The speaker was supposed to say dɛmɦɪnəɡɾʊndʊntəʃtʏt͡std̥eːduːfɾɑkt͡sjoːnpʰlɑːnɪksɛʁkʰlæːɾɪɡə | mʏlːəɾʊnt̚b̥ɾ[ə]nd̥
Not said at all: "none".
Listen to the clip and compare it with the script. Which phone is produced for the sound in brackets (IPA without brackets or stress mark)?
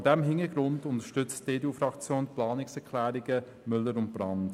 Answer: ɑ